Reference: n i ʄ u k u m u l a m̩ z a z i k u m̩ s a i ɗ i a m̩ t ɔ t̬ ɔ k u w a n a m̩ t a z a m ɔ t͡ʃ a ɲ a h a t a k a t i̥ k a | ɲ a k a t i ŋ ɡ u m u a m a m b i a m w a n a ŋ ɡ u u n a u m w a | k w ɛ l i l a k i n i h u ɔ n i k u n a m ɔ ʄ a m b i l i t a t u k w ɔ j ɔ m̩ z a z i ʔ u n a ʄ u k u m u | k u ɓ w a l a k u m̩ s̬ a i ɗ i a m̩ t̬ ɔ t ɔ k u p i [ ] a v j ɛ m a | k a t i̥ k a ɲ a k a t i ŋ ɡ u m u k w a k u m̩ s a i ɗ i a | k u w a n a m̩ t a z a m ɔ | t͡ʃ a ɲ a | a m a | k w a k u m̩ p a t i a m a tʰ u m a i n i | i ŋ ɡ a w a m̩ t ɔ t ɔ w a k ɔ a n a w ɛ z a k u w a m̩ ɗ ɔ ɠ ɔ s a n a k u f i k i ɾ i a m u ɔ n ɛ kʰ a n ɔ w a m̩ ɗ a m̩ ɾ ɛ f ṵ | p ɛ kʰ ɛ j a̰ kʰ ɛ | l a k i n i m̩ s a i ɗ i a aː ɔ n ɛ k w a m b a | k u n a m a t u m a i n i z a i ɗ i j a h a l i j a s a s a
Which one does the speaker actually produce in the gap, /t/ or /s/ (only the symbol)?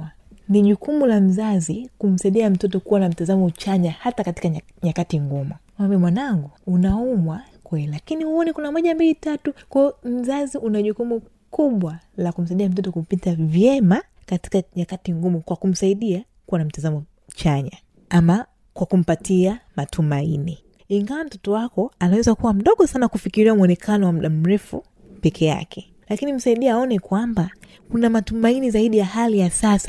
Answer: t